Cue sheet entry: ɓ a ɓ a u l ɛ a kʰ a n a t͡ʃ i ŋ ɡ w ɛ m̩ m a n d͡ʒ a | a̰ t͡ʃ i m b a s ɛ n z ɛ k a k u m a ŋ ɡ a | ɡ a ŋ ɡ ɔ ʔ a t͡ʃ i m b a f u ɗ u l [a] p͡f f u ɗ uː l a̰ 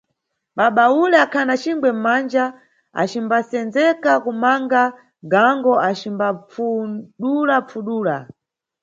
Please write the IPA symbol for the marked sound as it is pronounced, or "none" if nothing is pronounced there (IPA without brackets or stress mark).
a